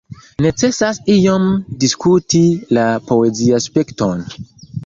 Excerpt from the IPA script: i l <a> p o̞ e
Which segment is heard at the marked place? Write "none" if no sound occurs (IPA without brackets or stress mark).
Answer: a